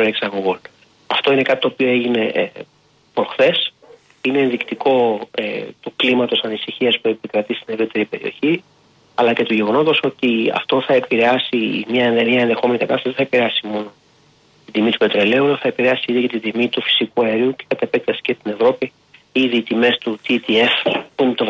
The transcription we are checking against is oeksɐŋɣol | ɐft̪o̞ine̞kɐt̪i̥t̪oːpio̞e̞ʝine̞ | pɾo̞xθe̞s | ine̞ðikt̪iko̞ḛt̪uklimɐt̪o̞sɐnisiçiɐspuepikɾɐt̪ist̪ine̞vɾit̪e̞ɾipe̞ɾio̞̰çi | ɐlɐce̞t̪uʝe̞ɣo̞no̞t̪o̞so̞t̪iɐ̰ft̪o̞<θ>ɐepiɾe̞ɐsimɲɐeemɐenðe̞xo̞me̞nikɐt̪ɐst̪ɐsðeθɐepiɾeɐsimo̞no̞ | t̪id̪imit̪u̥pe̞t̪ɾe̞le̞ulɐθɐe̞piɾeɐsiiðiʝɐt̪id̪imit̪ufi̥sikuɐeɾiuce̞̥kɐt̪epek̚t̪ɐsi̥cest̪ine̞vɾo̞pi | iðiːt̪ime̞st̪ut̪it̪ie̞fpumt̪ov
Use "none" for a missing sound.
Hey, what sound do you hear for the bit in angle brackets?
θ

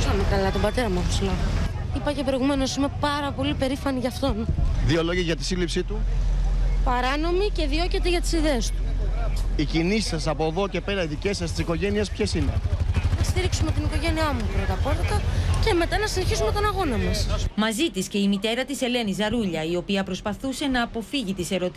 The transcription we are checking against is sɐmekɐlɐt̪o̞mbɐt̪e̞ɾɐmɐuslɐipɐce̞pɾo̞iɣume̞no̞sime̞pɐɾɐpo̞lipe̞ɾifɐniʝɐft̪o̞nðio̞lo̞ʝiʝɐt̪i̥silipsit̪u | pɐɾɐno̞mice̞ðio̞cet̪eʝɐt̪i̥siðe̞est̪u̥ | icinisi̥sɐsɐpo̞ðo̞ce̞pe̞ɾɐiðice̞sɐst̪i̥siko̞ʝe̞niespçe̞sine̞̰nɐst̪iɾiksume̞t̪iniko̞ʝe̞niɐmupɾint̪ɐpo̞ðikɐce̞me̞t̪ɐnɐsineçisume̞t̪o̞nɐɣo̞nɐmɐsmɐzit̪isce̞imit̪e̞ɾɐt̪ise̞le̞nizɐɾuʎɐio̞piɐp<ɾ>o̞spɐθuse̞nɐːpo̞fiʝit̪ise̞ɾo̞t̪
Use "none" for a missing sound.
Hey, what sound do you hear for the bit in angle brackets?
ɾ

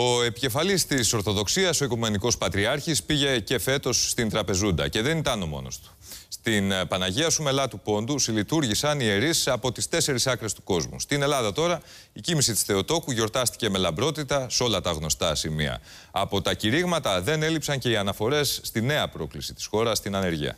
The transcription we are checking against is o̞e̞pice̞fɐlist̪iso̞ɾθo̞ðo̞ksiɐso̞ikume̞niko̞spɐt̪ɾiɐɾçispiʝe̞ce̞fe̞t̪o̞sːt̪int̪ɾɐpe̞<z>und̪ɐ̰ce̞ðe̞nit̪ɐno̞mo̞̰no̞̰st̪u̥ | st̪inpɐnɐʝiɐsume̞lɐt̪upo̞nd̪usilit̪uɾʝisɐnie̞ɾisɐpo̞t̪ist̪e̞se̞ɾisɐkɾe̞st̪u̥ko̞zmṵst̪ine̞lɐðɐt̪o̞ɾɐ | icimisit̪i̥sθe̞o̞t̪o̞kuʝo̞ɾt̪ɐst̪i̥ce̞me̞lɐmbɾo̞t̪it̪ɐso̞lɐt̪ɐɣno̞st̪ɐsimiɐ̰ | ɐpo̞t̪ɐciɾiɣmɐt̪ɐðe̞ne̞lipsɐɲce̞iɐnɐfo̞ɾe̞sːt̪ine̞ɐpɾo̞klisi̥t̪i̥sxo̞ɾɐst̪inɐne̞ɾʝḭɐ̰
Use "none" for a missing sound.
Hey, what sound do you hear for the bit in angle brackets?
z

